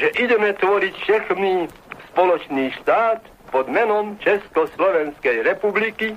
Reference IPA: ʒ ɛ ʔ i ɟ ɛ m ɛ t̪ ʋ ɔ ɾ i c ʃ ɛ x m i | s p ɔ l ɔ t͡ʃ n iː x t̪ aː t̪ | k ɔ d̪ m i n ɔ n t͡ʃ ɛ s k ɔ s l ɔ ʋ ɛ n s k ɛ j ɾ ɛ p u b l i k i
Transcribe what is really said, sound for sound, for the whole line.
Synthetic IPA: ʒ ɛ ʔ i ɟ ɛ m ɛ t̪ ʋ ɔ ɾ i c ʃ ɛ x m i | s p ɔ l ɔ t͡ʃ n iː ʃ t̪ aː t̪ | p ɔ d̪ m ɛ n ɔ m t͡ʃ ɛ s k ɔ s l ɔ ʋ ɛ n s k ɛ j ɾ ɛ p u b l i k i